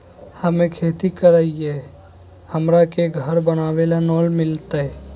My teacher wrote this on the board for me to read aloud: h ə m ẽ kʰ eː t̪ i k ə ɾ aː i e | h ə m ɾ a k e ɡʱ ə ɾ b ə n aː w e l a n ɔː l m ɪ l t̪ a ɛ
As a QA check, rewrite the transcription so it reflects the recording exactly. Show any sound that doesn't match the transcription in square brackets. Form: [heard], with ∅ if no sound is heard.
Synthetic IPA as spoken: h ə m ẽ kʰ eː t̪ i k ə ɾ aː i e | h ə m ɾ a k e ɡʱ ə ɾ b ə n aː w e l a n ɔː l m ɪ l t̪ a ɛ